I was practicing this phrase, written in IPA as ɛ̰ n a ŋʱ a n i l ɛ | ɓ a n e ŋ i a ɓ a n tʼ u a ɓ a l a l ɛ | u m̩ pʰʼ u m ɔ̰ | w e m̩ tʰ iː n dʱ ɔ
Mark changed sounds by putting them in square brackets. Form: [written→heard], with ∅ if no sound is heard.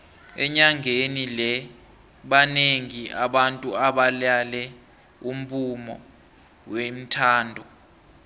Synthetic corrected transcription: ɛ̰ [n→ɲ] a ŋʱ [a→e] n i l ɛ | ɓ a n e ŋ i a ɓ a n tʼ u a ɓ a l a l ɛ | u m̩ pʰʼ u m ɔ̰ | w e m̩ tʰ [iː→aː] n dʱ ɔ